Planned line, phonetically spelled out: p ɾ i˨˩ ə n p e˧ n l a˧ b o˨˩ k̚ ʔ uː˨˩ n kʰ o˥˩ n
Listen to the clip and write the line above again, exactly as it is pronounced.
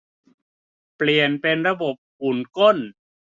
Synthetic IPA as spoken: p l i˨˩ ə n p e˧ n ɾ a˧ b o˨˩ p̚ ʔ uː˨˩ n k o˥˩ n